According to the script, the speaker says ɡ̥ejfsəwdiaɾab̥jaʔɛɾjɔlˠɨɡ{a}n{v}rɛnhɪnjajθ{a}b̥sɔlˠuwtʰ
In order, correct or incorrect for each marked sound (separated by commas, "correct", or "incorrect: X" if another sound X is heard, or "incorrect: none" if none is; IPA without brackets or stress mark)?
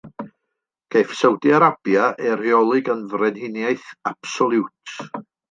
incorrect: ə, correct, correct